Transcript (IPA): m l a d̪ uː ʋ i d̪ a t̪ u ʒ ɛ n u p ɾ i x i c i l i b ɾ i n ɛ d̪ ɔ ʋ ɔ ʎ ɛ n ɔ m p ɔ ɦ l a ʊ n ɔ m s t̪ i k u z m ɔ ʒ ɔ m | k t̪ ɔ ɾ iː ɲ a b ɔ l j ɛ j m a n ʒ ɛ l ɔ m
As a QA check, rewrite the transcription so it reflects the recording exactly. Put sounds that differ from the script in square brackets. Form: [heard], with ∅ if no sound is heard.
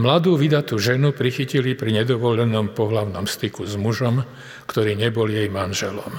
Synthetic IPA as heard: m l a d̪ uː ʋ i d̪ a t̪ u ʒ ɛ n u p ɾ i x i c i l i [p] ɾ i [ɲ] ɛ d̪ ɔ ʋ ɔ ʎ ɛ n ɔ m p ɔ ɦ l a ʊ n ɔ m s t̪ i k u z m [u] ʒ ɔ m | k t̪ ɔ ɾ iː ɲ [ɛ] b ɔ l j ɛ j m a n ʒ ɛ l ɔ m